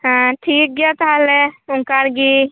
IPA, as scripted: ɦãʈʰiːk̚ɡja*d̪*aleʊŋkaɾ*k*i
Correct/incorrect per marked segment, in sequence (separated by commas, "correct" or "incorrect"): incorrect, incorrect